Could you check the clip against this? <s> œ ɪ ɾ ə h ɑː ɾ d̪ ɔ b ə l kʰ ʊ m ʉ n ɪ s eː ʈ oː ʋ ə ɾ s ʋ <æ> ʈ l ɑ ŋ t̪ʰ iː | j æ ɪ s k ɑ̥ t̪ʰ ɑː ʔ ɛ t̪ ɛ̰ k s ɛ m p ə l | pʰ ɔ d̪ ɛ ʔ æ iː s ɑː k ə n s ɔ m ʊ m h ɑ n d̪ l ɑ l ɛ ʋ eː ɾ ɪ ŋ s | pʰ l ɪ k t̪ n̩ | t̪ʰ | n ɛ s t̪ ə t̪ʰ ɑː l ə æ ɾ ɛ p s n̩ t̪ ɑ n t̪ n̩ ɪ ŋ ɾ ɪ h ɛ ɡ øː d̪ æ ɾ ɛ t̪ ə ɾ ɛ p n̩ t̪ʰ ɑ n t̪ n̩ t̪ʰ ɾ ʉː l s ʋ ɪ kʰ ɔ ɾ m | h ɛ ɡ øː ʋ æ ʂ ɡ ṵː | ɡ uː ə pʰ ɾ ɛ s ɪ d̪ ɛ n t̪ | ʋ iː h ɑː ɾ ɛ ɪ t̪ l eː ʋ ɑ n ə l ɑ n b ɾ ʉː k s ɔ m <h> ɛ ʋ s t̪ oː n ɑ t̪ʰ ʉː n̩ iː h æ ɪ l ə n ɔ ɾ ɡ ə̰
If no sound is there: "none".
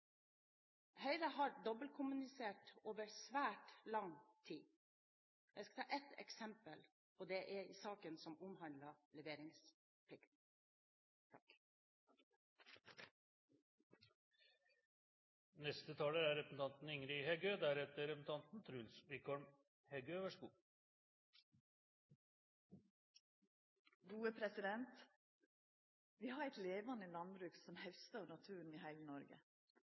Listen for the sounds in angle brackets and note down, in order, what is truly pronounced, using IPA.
h, æː, h

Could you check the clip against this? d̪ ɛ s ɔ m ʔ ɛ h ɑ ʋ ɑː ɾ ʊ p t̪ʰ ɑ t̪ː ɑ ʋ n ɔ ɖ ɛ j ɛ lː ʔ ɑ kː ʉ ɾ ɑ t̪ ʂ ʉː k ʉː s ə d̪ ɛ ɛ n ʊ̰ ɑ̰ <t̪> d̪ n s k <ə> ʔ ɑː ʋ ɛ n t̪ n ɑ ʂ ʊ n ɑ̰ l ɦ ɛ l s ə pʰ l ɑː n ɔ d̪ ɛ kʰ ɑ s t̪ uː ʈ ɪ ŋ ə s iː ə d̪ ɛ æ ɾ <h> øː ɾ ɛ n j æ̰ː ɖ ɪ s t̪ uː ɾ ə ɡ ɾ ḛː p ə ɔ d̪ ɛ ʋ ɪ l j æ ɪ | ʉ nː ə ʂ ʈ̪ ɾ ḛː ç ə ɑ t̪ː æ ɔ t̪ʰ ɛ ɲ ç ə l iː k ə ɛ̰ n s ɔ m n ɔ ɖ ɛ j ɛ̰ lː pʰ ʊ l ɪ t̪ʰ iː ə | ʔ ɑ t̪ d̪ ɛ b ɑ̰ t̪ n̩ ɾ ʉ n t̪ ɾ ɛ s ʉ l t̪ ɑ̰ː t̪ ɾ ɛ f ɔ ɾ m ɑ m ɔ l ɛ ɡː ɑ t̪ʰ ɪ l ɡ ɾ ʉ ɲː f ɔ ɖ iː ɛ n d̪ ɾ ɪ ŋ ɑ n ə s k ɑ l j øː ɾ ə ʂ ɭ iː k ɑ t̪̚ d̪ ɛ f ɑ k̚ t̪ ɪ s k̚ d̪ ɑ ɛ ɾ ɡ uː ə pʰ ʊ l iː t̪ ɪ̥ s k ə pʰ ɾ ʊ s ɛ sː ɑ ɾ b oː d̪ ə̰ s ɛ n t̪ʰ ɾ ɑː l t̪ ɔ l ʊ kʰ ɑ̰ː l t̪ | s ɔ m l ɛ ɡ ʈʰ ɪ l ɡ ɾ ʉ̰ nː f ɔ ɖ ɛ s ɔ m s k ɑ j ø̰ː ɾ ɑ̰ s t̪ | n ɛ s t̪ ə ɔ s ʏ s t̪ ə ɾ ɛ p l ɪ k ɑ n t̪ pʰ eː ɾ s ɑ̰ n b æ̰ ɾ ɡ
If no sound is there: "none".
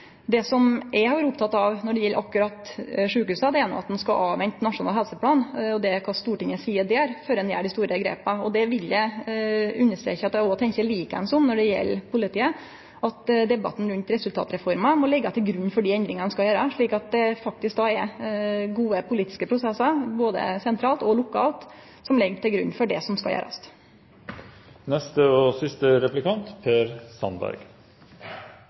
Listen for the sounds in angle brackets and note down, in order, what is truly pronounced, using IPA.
t̪, ɑ, f

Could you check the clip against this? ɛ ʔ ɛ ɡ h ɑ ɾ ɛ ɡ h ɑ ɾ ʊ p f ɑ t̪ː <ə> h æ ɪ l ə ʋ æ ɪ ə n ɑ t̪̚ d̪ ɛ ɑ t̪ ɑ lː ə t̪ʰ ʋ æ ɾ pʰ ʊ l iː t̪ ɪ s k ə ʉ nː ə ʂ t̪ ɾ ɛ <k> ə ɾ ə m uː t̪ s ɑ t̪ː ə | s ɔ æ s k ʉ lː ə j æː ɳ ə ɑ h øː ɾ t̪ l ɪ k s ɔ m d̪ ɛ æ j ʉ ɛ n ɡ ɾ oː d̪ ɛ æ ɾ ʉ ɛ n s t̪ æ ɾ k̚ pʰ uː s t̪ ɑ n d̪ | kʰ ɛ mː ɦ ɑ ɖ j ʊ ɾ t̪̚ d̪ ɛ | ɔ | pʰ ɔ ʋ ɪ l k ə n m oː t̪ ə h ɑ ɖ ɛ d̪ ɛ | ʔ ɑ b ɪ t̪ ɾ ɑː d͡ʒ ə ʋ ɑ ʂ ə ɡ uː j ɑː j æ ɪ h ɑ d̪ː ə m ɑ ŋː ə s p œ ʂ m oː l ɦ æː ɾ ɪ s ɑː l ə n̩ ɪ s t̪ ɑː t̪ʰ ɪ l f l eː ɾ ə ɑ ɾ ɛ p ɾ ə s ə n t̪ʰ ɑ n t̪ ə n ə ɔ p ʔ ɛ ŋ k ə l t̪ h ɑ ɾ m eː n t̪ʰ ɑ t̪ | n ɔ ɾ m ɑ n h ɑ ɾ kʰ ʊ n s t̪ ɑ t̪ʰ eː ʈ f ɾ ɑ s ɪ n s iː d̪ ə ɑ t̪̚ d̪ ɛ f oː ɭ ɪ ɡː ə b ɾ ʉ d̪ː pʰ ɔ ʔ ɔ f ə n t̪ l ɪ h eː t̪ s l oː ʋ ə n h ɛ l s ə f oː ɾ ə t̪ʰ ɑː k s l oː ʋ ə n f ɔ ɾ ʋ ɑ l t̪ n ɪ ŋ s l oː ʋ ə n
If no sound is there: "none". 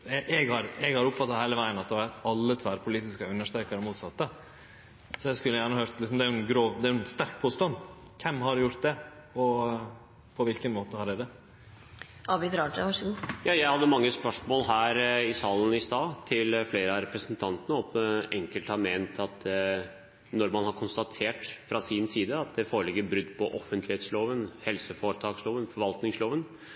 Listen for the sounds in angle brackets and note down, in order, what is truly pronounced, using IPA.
ɑ, k

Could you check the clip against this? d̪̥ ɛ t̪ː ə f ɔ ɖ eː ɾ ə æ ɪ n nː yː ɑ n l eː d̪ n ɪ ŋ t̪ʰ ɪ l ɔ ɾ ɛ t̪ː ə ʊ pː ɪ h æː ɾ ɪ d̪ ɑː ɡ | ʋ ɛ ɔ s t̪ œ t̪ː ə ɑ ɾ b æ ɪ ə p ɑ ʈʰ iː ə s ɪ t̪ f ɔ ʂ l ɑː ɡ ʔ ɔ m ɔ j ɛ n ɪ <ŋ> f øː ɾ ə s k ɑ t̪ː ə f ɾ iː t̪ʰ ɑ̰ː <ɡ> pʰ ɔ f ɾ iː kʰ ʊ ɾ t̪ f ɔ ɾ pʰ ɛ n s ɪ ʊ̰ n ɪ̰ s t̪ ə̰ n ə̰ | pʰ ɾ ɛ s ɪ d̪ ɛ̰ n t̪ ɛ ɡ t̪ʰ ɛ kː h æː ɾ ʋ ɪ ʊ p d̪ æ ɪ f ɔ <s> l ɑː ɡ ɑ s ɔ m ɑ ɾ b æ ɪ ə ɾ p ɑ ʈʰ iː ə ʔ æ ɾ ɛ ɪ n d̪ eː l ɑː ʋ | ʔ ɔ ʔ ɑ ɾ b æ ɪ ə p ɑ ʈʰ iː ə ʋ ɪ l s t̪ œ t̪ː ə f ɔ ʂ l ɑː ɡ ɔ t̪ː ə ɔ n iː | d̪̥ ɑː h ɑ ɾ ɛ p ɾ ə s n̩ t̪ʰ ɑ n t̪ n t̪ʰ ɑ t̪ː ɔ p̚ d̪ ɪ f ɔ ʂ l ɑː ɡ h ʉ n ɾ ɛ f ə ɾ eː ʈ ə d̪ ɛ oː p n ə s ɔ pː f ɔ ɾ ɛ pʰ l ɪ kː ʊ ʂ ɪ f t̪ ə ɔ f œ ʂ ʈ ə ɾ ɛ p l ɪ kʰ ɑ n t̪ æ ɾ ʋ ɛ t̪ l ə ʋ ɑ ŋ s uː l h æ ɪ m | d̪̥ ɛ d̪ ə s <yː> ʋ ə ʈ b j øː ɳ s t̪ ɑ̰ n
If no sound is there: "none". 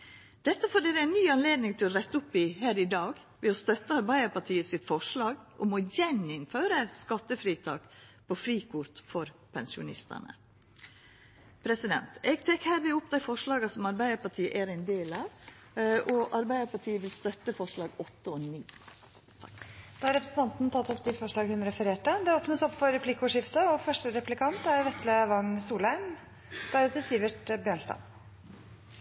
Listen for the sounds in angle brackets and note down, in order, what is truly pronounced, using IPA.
n, k, ʂ, iː

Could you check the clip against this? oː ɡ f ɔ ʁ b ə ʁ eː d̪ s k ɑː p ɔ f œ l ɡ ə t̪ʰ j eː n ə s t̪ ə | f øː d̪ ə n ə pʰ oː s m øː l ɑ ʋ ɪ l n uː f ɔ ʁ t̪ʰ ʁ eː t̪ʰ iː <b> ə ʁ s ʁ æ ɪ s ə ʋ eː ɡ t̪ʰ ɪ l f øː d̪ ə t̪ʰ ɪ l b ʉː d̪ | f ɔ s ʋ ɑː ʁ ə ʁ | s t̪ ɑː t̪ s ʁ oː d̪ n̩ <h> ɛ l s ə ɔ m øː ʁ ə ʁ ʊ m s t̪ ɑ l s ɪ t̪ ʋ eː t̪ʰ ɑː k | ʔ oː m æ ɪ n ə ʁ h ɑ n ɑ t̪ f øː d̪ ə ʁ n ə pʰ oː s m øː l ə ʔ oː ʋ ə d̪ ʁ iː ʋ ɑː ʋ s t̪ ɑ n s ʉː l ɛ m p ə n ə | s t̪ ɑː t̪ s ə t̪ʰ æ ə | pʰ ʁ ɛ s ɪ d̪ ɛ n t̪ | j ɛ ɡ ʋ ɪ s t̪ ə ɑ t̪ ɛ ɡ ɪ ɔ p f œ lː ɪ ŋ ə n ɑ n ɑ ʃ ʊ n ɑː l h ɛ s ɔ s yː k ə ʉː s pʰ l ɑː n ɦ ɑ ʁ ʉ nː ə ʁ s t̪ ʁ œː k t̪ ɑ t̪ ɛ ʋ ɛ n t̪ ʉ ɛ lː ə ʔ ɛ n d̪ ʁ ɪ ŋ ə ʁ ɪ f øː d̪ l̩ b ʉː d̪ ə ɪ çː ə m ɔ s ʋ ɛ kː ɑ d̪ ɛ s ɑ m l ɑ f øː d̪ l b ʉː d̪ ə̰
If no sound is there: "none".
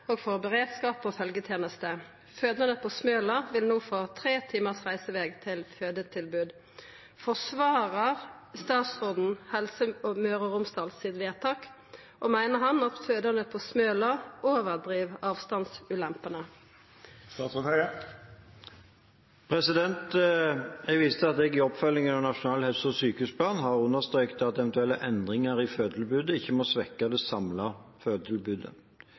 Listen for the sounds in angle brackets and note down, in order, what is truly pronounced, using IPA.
m, h

